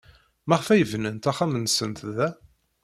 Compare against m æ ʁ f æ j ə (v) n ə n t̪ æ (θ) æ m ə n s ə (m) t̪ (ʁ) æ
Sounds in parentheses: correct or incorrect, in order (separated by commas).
correct, incorrect, incorrect, incorrect